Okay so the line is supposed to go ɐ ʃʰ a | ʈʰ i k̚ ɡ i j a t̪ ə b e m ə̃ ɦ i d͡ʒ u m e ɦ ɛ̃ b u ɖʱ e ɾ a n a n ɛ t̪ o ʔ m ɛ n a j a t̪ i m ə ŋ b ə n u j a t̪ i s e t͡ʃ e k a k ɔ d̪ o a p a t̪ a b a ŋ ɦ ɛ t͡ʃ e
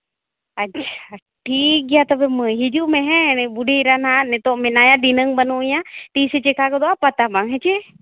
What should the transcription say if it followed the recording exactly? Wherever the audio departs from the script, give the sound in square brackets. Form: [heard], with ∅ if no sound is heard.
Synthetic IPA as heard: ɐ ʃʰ a | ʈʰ i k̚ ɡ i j a t̪ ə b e m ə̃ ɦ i d͡ʒ u m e ɦ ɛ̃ b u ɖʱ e ɾ a n a n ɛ t̪ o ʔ m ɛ n a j a [d̪] i [n] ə ŋ b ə n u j a t̪ i s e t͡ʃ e k a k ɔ d̪ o a p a t̪ a b a ŋ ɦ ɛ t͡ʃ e